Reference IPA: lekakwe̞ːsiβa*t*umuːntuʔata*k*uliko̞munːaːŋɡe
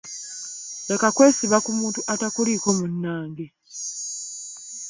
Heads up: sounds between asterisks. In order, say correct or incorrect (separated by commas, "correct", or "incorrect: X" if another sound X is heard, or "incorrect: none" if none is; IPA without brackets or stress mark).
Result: incorrect: k, correct